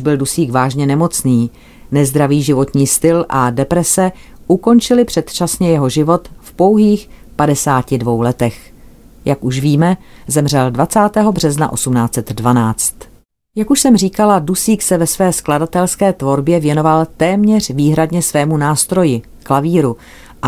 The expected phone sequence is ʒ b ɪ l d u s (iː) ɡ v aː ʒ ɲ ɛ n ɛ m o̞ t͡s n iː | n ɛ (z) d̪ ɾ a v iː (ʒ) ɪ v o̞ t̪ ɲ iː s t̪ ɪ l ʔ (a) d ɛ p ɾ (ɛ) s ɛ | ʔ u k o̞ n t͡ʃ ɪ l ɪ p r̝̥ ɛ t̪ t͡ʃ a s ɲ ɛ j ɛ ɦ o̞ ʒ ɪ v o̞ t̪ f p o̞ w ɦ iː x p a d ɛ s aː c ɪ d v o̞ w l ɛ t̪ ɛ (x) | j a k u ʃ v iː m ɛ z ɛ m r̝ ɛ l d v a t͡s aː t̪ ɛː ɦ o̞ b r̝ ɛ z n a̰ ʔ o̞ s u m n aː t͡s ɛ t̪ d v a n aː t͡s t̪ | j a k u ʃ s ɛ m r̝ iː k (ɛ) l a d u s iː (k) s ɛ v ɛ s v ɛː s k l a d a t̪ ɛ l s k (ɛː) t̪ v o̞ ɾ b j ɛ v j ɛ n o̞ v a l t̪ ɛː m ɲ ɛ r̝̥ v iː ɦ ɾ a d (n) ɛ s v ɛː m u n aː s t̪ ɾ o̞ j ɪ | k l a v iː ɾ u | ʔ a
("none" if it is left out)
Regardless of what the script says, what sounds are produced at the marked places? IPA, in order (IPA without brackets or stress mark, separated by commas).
iː, z, ʒ, a, ɛ, x, a, k, ɛː, ɲ